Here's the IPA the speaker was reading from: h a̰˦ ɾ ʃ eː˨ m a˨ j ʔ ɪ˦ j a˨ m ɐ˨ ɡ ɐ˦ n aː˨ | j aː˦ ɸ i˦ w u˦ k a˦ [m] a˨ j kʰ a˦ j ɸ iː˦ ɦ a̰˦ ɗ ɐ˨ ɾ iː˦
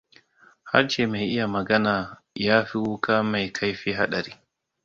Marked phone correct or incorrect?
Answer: correct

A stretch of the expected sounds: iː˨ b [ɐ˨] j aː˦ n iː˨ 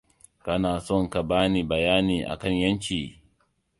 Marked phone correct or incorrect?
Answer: correct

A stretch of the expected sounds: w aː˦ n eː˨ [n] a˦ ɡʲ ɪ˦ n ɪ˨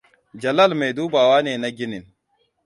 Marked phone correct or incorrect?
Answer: correct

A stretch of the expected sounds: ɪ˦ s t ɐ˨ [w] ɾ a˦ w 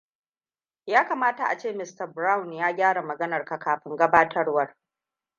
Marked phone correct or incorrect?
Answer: incorrect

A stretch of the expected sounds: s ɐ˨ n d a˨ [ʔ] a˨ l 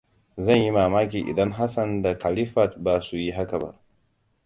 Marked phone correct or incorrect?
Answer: incorrect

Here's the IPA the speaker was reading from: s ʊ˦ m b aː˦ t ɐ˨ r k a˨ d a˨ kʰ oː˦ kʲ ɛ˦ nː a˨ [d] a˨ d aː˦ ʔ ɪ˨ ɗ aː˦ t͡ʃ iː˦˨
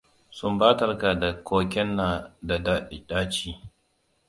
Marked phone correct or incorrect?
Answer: correct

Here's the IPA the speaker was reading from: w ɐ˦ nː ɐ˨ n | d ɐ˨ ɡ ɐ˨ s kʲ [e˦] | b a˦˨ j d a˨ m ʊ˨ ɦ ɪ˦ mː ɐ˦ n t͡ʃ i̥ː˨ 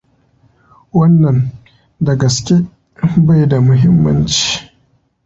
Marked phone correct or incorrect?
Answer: correct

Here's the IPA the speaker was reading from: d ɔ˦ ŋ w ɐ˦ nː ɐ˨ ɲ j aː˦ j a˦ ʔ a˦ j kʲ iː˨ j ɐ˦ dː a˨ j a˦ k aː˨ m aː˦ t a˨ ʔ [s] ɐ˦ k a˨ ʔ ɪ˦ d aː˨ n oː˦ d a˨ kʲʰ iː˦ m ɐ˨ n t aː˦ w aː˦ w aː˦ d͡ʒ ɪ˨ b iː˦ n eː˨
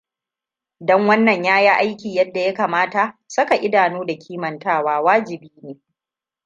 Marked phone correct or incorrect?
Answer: correct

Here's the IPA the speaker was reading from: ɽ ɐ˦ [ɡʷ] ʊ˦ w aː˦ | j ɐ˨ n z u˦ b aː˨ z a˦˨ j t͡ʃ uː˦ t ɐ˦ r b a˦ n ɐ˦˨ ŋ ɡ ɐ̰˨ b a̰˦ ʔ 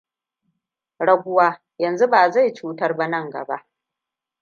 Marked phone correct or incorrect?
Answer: correct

